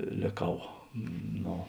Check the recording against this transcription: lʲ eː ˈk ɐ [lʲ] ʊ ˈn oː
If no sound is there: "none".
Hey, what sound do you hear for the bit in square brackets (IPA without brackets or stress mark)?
none